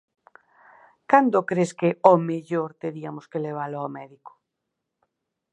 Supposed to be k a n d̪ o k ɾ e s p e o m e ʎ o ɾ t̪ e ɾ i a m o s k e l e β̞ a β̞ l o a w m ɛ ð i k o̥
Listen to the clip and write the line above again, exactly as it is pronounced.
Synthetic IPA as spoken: k a n d̪ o k ɾ e s k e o m e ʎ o ɾ t̪ e ɾ i a m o s k e l e β̞ a l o a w m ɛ ð i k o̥